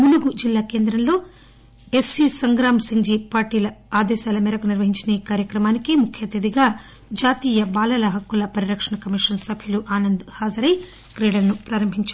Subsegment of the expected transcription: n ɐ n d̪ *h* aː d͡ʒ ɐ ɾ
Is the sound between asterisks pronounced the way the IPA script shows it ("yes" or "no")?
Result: yes